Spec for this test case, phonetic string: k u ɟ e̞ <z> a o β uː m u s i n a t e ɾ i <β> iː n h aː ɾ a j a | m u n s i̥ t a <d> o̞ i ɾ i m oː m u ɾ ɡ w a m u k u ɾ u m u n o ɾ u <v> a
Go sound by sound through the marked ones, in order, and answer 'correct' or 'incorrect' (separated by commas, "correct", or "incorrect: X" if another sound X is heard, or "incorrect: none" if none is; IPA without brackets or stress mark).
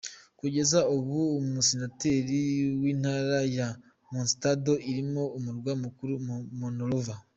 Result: correct, incorrect: w, correct, correct